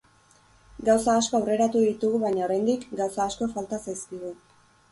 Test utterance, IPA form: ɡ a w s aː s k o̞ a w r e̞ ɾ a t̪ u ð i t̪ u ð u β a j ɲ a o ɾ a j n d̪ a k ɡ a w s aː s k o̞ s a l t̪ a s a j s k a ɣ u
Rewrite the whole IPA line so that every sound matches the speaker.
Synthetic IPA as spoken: ɡ a w s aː s k o̞ a w r e̞ ɾ a t̪ u ð i t̪ u ɣ u β a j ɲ a o ɾ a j n d̪ i k ɡ a w s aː s k o̞ f a l t̪ a s a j s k i ɣ u